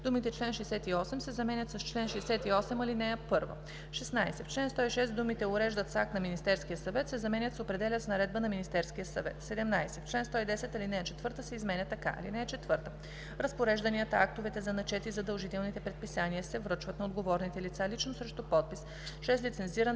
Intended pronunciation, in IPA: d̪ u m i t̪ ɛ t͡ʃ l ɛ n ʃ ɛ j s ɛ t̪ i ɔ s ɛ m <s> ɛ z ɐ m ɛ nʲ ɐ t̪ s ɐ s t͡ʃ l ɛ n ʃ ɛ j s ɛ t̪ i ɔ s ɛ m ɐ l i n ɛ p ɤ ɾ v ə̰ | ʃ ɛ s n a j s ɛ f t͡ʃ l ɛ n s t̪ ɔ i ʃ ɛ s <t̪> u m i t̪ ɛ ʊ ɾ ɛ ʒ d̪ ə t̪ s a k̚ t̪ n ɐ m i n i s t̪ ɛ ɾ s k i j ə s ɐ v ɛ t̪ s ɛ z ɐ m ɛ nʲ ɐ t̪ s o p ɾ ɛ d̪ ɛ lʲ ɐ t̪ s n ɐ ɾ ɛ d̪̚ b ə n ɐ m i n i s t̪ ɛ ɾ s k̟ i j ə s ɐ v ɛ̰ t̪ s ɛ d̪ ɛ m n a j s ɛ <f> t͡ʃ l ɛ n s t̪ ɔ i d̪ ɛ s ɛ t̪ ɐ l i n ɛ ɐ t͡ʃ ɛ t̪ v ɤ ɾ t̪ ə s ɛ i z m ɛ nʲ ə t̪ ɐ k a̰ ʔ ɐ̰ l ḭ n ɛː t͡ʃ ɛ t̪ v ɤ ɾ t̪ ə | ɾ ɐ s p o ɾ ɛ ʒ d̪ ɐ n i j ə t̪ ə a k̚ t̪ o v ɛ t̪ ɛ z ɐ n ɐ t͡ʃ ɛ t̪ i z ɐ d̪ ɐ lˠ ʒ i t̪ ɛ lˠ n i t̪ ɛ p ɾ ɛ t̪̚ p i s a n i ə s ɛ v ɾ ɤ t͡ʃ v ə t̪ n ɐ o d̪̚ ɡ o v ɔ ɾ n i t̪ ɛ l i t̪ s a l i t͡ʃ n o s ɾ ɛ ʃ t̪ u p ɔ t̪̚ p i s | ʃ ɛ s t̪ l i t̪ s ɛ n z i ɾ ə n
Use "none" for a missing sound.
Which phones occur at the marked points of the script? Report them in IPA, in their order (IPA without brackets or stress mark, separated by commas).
s, d̪, f